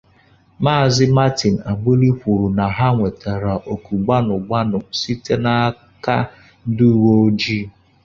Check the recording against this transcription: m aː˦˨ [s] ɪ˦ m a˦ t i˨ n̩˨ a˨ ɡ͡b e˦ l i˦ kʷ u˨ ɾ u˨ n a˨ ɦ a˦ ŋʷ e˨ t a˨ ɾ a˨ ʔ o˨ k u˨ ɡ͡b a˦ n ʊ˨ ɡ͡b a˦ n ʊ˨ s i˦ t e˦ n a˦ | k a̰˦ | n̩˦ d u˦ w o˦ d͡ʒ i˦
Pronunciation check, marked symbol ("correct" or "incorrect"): incorrect